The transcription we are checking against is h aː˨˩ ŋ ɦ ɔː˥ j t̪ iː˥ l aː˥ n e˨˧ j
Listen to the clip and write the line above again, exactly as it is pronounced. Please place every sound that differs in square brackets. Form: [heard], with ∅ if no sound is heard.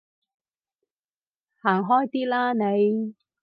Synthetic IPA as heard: h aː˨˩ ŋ ɦ ɔː˥ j t̪ iː˥ l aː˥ n e˨˧ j